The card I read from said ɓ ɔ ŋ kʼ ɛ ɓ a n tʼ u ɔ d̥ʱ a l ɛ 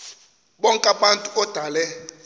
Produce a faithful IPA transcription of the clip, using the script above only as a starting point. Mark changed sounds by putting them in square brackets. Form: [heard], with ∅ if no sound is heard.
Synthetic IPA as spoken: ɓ ɔ ŋ kʼ [a] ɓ a n tʼ u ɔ d̥ʱ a l ɛ